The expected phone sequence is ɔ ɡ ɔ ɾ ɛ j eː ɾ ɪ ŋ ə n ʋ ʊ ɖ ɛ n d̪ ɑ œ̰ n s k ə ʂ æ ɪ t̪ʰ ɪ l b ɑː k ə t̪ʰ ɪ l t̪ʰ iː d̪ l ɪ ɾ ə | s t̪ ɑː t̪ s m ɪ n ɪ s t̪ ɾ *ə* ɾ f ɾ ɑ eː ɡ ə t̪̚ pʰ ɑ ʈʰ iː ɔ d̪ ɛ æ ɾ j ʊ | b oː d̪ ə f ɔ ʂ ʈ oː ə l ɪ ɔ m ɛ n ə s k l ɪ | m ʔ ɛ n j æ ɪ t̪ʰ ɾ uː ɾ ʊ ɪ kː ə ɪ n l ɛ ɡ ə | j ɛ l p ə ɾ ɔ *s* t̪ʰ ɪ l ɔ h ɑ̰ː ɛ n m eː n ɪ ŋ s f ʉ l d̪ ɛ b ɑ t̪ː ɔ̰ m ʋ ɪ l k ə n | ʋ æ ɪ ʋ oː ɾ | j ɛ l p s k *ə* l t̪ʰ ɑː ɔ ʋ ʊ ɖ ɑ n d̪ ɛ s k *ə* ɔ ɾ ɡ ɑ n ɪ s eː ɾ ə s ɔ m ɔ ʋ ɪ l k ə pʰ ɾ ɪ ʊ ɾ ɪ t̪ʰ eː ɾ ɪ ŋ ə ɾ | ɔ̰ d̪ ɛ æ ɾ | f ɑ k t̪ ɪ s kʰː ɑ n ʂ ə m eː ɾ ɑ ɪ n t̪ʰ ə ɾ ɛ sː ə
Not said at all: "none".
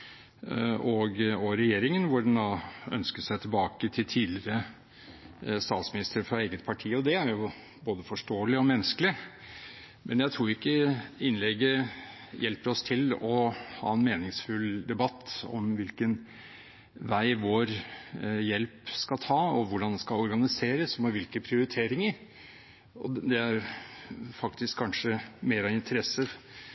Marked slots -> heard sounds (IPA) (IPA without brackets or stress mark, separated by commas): ə, s, ɑ, ɑ